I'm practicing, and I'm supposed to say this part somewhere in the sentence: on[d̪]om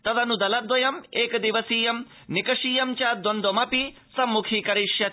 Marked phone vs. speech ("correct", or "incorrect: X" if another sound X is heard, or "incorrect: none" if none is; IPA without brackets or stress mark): correct